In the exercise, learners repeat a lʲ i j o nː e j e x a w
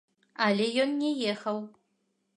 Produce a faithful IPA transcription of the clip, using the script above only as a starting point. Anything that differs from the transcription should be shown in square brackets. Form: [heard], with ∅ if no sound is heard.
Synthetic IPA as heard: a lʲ [e] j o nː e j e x [ɐ] w

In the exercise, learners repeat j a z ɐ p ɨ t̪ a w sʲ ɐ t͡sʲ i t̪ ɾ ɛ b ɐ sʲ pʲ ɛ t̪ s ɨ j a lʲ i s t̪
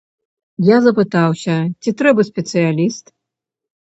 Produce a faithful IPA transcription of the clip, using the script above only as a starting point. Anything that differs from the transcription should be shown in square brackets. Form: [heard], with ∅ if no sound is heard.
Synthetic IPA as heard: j a z ɐ p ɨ t̪ a w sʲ ɐ t͡sʲ i t̪ ɾ ɛ b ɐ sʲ pʲ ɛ t̪ s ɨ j a lʲ i s t̪

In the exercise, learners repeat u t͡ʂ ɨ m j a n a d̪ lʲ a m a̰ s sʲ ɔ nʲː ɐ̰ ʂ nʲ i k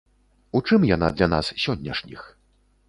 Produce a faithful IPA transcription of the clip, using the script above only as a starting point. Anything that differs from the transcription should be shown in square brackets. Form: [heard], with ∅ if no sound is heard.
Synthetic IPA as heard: u t͡ʂ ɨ m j a n a d̪ lʲ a [n] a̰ s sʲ ɔ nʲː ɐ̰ ʂ nʲ i [x]

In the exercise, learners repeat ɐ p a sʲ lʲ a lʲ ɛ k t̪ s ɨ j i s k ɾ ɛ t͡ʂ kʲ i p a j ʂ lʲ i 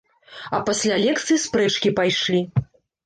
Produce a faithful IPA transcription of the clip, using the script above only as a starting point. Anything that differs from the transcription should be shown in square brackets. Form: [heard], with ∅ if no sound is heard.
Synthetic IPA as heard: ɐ p a sʲ lʲ a lʲ ɛ k t̪ s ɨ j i s [p] ɾ ɛ t͡ʂ kʲ i p a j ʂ lʲ i

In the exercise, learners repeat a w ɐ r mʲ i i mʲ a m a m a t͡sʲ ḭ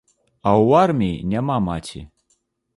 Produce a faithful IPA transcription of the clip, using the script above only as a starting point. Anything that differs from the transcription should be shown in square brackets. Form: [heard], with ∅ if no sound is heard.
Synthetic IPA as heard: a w [a] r mʲ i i [nʲ] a m a m a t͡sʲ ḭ

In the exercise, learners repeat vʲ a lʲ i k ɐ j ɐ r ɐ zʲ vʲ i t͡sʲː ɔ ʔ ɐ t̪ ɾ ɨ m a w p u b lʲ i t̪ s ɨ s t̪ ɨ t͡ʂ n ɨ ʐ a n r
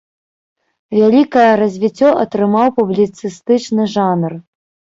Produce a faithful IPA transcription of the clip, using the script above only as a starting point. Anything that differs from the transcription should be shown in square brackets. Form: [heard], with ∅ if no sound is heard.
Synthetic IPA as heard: vʲ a lʲ i k ɐ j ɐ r ɐ zʲ vʲ i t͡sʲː ɔ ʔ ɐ t̪ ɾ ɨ m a w p u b lʲ i t̪ s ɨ s t̪ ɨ t͡ʂ n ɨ ʐ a n r

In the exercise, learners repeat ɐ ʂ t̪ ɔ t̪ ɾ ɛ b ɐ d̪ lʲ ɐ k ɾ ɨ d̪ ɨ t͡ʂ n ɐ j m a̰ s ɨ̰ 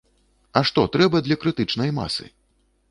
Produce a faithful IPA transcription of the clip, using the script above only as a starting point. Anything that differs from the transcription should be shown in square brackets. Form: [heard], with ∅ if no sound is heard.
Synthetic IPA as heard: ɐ ʂ t̪ ɔ t̪ ɾ ɛ b ɐ d̪ lʲ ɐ k ɾ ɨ [t̪] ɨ t͡ʂ n ɐ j m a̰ s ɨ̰

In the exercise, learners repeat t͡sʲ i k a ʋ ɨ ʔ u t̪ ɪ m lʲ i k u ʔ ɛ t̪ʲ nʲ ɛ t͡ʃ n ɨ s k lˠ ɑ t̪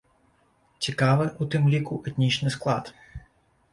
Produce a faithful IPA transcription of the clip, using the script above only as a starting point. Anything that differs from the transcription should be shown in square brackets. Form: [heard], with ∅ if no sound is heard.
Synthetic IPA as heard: t͡sʲ i k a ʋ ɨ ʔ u t̪ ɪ m lʲ i k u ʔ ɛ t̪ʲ nʲ [i] t͡ʃ n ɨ s k lˠ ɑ t̪

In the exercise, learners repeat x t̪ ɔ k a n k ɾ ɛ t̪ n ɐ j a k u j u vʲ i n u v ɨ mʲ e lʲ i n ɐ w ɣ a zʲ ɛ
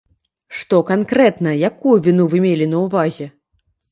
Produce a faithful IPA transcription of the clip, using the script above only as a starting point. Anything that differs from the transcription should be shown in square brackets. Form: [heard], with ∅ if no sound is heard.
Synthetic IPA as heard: [ʂ] t̪ ɔ k a n k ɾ ɛ t̪ n ɐ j a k u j u vʲ i n u v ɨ mʲ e lʲ i n ɐ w [v] a zʲ ɛ

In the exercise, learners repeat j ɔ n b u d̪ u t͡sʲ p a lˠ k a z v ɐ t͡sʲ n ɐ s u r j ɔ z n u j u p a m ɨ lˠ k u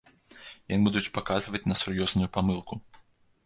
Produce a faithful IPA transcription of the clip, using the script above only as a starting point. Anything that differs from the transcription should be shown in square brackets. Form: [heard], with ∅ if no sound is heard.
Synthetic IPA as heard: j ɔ n b u d̪ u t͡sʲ p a [∅] k a z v ɐ t͡sʲ n ɐ s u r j ɔ z n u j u p a m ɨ lˠ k u

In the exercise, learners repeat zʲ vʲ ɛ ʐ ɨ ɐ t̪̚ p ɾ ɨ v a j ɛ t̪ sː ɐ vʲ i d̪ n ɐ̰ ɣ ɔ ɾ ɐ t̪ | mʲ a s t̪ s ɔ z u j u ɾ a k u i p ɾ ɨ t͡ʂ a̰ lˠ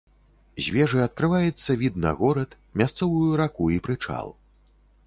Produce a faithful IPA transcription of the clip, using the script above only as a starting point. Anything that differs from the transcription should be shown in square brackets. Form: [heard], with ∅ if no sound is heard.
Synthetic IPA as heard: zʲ vʲ ɛ ʐ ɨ ɐ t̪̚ [k] ɾ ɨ v a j ɛ t̪ sː ɐ vʲ i d̪ n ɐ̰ ɣ ɔ ɾ ɐ t̪ | mʲ a s t̪ s ɔ [v] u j u ɾ a k u i p ɾ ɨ t͡ʂ a̰ lˠ

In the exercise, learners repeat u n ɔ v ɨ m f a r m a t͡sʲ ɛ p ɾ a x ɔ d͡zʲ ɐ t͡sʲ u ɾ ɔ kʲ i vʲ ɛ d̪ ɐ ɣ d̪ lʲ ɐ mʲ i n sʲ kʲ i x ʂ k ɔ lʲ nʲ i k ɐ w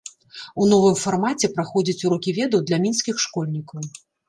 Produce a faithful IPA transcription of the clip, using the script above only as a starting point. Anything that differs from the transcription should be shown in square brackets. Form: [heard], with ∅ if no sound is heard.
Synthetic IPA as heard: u n ɔ v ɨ m f a r m a t͡sʲ ɛ p ɾ a x ɔ d͡zʲ ɐ t͡sʲ u ɾ ɔ kʲ i vʲ ɛ d̪ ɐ [w] d̪ lʲ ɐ mʲ i n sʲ kʲ i x ʂ k ɔ lʲ nʲ i k ɐ w

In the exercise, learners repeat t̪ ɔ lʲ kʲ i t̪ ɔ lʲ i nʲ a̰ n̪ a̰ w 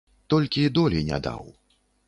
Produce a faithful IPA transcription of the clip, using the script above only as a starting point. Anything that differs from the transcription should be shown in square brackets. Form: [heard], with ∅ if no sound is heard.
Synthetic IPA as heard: t̪ ɔ lʲ kʲ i [d̪] ɔ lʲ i nʲ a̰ [d̪] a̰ w

